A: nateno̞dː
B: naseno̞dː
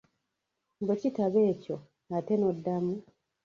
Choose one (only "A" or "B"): A